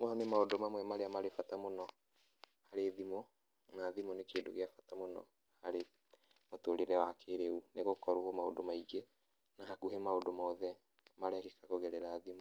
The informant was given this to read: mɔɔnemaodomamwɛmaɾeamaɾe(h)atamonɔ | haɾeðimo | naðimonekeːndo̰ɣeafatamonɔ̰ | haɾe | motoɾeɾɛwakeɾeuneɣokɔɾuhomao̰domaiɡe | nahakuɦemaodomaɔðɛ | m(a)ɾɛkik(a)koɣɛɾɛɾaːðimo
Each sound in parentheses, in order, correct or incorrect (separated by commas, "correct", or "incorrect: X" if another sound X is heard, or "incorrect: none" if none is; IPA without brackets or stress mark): incorrect: f, correct, correct